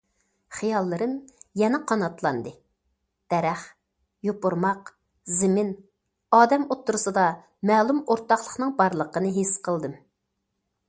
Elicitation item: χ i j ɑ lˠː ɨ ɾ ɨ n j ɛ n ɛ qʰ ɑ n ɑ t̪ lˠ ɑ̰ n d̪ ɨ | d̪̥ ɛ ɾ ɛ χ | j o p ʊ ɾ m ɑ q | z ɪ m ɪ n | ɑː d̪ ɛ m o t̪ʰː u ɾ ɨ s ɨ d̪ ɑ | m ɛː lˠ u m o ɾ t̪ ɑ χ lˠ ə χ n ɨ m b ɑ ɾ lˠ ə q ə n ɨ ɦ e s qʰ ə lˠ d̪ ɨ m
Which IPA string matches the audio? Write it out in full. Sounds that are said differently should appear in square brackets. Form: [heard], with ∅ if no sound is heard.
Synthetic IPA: χ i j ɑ lˠː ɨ ɾ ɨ n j ɛ n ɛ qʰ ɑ n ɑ t̪ lˠ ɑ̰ n d̪ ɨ | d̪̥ ɛ ɾ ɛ χ | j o p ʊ ɾ m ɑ q | z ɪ m ɪ n | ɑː d̪ ɛ m o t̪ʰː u ɾ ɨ s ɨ d̪ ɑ | m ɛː lˠ u m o ɾ t̪ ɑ χ lˠ ə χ n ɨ [ŋ] b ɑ ɾ lˠ ə q ə n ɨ ɦ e s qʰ ə lˠ d̪ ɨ m